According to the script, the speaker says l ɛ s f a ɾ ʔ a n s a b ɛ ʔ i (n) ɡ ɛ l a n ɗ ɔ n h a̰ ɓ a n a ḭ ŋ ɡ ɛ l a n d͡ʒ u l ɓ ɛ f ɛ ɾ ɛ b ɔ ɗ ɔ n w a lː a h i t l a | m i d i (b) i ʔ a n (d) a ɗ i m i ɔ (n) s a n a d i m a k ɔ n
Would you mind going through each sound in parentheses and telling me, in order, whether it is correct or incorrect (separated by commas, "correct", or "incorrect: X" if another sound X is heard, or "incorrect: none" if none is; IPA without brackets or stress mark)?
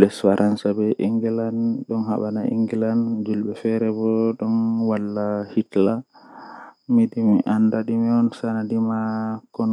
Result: incorrect: ŋ, incorrect: m, correct, correct